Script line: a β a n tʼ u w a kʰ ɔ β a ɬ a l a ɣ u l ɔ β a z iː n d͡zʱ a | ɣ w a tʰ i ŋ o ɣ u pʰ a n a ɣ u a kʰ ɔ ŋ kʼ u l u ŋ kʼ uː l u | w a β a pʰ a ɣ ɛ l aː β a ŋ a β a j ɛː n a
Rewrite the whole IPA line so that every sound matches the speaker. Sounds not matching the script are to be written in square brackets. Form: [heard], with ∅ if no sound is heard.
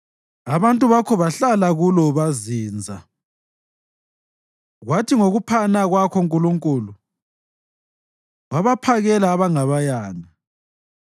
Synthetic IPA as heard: a β a n tʼ u [β] a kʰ ɔ β a ɬ a l a ɣ u l ɔ β a z iː n d͡zʱ a | ɣ w a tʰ i ŋ o ɣ u pʰ a n a ɣ [w] a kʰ ɔ ŋ kʼ u l u ŋ kʼ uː l u | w a β a pʰ a ɣ ɛ l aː β a ŋ a β a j [aː] n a